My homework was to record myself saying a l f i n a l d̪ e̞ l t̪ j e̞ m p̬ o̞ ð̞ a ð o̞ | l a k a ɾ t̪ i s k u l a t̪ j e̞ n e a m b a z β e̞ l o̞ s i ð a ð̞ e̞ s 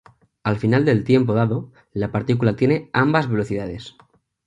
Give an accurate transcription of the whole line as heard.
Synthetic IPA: a l f i n a l d̪ e̞ l t̪ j e̞ m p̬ o̞ ð̞ a ð o̞ | l a p a ɾ t̪ i k u l a t̪ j e̞ n e a m b a z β e̞ l o̞ θ i ð a ð̞ e̞ s